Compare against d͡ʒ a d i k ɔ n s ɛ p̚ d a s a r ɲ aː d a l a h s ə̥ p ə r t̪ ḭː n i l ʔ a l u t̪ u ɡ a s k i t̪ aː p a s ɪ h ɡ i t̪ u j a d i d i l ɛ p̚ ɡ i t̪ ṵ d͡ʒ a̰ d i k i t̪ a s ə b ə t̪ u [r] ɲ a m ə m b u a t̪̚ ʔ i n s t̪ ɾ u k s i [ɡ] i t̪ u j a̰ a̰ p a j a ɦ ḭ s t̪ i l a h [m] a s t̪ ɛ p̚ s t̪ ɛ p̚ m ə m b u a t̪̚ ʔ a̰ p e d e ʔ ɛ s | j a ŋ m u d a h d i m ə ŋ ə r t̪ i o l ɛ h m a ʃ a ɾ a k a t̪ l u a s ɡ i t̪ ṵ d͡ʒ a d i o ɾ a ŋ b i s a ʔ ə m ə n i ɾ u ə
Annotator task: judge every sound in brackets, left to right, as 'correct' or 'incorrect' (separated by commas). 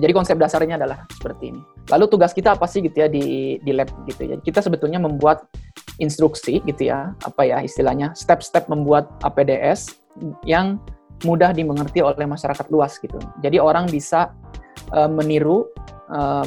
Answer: incorrect, correct, incorrect